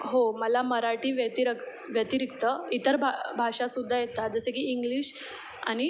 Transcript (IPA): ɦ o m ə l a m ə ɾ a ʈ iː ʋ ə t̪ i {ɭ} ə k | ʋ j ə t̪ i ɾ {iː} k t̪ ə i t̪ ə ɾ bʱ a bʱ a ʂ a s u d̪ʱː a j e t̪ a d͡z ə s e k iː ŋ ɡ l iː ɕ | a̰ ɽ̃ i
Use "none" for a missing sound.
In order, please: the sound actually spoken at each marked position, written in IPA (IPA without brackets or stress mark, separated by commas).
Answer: ɾ, i